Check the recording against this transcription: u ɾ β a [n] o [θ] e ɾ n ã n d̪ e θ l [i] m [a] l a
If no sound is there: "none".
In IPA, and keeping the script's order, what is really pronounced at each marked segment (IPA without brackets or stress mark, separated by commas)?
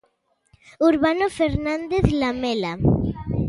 n, f, a, e